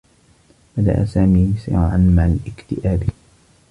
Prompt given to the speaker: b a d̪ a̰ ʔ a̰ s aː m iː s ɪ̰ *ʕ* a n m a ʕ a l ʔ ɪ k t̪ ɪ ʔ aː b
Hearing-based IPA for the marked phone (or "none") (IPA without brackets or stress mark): ʕ